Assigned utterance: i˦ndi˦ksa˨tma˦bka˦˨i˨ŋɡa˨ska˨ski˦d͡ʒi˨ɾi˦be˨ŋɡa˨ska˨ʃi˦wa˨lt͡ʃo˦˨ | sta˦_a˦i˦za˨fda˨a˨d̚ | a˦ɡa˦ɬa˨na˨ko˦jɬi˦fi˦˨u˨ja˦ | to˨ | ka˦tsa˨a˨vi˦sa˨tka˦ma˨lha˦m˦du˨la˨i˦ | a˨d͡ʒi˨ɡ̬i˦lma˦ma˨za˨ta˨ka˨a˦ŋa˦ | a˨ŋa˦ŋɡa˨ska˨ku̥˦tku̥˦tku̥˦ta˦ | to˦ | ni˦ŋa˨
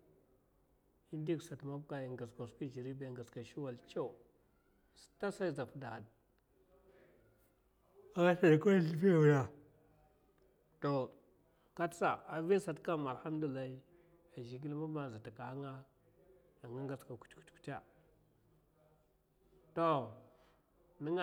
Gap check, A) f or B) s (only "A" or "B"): B